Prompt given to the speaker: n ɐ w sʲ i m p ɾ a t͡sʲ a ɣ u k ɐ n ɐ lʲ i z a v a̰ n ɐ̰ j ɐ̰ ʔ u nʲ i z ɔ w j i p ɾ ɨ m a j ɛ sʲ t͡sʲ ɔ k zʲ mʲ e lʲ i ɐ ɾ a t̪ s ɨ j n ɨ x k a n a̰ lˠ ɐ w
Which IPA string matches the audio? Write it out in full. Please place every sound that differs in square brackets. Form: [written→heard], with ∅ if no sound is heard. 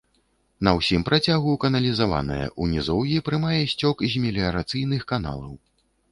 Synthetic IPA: n ɐ w sʲ i m p ɾ a t͡sʲ a ɣ u k ɐ n ɐ lʲ i z a v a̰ n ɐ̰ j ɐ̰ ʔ u nʲ i z ɔ w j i p ɾ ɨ m a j ɛ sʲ t͡sʲ ɔ k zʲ mʲ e lʲ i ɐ ɾ a t̪ s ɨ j n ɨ x k a n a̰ lˠ ɐ w